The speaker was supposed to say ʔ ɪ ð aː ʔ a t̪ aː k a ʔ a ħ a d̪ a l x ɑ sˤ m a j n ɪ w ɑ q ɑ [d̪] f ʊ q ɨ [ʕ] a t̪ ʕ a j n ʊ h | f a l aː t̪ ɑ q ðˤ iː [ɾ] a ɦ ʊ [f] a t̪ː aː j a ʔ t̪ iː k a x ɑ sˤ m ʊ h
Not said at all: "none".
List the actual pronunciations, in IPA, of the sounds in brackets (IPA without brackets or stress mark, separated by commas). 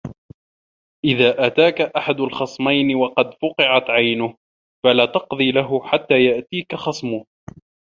d̪, ʕ, l, ħ